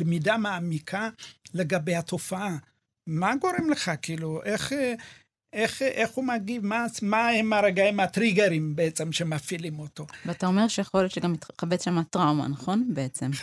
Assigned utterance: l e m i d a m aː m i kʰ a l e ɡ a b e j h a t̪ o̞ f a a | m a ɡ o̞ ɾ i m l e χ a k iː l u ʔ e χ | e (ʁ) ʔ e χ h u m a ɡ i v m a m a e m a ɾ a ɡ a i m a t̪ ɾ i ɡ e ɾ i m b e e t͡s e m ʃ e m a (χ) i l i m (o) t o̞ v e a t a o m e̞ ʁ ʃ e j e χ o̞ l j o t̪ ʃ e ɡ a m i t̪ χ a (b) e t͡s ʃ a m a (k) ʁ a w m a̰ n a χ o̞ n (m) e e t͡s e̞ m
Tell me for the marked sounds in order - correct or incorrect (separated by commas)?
incorrect, incorrect, correct, correct, incorrect, incorrect